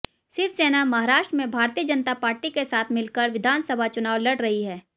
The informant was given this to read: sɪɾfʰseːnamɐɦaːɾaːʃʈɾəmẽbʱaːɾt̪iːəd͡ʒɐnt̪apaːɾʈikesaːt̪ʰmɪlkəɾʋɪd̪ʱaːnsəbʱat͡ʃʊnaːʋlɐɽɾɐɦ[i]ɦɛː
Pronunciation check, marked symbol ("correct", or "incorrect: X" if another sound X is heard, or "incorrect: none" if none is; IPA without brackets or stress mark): correct